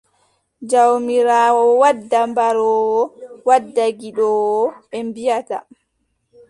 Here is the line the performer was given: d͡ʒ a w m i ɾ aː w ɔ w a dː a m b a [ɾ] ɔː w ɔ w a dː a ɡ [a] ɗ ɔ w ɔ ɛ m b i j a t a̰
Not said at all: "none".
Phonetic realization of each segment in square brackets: ɾ, i

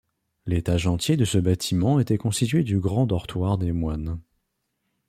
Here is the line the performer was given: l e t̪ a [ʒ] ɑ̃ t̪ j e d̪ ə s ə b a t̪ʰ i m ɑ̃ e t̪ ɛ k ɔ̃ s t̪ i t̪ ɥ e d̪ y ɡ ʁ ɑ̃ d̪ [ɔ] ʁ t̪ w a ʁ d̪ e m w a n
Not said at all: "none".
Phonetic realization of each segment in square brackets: ʒ, ɔ

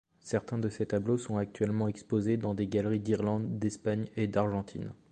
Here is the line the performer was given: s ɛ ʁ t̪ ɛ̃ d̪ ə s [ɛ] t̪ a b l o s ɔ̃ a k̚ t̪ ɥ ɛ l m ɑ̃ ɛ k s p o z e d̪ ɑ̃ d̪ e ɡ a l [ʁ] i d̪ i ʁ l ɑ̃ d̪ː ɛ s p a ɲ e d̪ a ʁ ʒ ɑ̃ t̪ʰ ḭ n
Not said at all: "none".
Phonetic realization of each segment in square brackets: e, ʁ

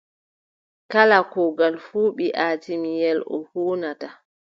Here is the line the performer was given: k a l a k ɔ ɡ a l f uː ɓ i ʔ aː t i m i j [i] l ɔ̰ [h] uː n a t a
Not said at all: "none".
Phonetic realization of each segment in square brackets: ɛ, h

